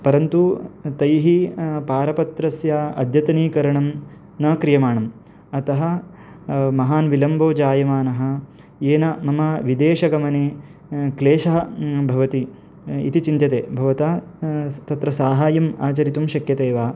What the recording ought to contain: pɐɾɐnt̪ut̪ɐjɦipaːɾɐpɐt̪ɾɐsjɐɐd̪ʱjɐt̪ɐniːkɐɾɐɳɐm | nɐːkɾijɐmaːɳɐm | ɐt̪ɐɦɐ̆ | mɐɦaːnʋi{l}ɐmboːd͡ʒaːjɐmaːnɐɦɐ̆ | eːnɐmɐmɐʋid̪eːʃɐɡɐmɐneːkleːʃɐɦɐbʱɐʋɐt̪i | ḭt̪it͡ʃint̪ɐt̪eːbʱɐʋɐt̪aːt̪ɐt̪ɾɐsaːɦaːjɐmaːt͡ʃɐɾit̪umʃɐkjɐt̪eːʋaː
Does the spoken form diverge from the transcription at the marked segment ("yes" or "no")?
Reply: no